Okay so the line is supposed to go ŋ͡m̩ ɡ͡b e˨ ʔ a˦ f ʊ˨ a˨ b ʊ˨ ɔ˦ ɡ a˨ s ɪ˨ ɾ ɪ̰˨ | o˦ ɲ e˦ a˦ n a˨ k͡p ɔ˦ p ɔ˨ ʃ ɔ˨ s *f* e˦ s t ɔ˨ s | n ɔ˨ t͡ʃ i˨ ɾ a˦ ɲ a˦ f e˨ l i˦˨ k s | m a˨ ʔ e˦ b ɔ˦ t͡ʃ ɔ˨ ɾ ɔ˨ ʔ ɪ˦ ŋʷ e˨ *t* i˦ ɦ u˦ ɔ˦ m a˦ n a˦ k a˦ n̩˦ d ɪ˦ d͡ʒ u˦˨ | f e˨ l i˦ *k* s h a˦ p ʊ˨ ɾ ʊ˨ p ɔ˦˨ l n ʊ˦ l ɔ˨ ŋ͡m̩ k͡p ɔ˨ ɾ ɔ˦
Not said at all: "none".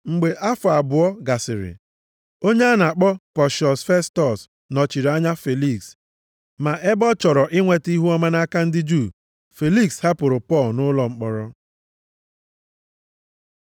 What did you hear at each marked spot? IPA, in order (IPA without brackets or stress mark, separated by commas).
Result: f, t, k